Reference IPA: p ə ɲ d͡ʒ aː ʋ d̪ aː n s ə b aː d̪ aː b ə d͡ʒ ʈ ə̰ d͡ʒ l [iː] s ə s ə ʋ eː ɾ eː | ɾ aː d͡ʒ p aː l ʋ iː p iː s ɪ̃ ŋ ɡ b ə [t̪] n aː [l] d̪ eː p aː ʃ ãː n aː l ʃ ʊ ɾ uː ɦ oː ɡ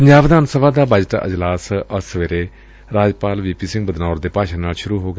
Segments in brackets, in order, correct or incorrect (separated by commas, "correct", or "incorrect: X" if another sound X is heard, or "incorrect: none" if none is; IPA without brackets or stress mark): incorrect: aː, incorrect: d̪, incorrect: ɾ